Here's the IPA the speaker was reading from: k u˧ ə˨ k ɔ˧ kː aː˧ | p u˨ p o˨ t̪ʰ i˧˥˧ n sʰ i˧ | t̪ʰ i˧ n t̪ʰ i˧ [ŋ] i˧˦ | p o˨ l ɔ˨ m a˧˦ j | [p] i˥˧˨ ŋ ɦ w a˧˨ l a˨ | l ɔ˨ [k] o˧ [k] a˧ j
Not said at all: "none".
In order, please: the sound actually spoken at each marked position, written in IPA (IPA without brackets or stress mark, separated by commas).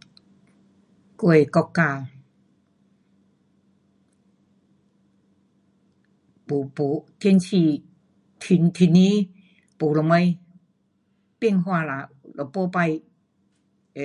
n, p, p, p